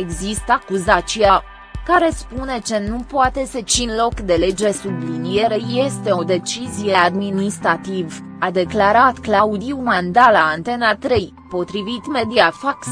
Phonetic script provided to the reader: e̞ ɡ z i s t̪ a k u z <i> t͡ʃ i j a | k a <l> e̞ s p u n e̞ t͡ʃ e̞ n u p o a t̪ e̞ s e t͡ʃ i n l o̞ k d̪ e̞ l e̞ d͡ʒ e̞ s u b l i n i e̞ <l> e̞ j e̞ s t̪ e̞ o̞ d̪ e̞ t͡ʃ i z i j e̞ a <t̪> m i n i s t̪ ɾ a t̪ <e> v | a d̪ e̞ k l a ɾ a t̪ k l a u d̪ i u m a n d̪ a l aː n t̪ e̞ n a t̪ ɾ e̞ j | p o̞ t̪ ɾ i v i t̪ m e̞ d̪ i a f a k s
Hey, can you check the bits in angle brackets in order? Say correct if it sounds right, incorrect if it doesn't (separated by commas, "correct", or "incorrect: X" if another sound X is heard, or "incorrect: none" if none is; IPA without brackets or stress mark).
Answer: incorrect: a, incorrect: ɾ, incorrect: ɾ, incorrect: d̪, incorrect: i